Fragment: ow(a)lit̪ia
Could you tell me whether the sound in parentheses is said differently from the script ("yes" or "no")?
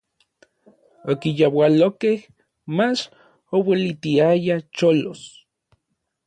yes